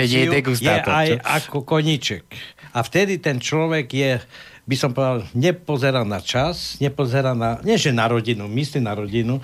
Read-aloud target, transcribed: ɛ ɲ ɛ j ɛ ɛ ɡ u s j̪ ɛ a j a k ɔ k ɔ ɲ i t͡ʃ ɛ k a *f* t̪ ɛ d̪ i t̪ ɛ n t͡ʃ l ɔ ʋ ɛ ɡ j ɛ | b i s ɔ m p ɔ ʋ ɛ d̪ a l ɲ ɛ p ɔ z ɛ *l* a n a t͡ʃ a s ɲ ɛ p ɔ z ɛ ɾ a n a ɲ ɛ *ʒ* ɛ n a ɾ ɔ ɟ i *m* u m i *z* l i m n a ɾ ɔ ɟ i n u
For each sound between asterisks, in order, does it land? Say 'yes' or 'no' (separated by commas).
yes, no, yes, no, no